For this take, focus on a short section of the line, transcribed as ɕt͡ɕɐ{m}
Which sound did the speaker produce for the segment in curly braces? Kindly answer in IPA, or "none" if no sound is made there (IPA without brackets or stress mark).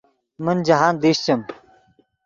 m